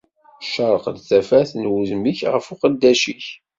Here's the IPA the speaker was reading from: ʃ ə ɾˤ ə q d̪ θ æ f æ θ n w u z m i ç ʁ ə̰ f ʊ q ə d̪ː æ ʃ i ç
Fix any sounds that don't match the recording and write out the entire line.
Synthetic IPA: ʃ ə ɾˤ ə q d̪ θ æ f æ θ n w u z m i ç ʁ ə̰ f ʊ q ə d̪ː æ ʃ i ç